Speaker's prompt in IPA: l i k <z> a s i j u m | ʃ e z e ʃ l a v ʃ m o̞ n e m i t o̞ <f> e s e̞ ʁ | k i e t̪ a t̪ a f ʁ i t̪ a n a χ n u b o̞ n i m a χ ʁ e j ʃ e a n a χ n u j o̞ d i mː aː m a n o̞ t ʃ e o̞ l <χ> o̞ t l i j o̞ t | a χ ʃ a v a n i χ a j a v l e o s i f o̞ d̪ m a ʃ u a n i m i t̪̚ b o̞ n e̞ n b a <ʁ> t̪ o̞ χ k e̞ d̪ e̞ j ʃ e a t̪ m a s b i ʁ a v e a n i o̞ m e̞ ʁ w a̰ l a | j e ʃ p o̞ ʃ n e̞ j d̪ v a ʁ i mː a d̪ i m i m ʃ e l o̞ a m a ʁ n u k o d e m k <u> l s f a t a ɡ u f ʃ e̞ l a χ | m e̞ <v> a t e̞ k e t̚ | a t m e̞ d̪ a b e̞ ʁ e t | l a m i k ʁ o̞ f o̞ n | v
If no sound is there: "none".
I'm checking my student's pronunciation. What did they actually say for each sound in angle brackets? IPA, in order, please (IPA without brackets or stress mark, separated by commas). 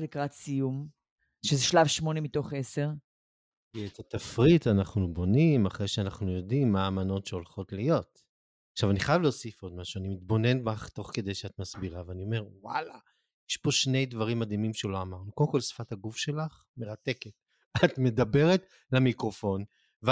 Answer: ʁ, χ, χ, χ, o, ʁ